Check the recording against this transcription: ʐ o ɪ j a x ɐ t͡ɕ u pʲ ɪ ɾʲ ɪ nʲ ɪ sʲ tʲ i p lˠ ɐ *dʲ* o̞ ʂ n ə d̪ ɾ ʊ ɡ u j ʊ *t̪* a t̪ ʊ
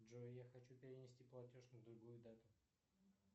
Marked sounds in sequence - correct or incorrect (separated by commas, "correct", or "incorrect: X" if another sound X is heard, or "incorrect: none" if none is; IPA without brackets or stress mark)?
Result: incorrect: tʲ, incorrect: d̪